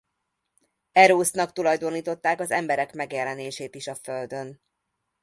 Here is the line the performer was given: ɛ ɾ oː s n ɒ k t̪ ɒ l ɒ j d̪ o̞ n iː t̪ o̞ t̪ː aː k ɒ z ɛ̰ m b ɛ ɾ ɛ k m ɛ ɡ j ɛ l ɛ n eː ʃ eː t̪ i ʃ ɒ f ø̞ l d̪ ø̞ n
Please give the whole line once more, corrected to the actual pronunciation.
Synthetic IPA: ɛ ɾ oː s n ɒ k t̪ u l ɒ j d̪ o̞ n iː t̪ o̞ t̪ː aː k ɒ z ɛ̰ m b ɛ ɾ ɛ k m ɛ ɡ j ɛ l ɛ n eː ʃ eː t̪ i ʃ ɒ f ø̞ l d̪ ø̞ n